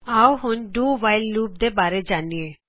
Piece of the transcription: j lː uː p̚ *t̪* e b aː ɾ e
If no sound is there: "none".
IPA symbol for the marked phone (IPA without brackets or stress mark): d̪